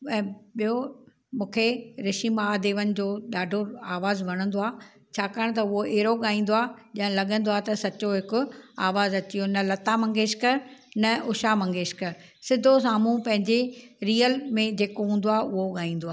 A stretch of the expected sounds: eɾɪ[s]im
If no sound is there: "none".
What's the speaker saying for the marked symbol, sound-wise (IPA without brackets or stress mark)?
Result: ʃ